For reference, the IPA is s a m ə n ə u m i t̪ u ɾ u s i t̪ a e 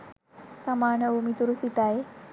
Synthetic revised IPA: s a m a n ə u m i t̪ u ɾ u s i t̪ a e